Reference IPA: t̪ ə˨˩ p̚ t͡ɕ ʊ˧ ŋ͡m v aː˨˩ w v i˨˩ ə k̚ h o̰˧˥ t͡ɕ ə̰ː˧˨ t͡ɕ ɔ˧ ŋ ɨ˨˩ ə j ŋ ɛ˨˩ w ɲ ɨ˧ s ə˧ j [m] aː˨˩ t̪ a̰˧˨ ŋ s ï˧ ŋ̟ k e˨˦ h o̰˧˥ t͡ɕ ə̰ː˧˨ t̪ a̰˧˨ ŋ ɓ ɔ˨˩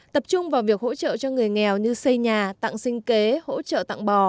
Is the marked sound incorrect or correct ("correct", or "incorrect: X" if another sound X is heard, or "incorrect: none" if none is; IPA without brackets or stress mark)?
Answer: incorrect: ɲ